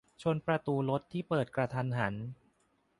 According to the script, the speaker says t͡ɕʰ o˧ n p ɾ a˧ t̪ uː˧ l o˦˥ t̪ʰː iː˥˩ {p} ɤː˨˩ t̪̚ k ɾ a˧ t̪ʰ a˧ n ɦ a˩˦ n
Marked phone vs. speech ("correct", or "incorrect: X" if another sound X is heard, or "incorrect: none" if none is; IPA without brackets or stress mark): correct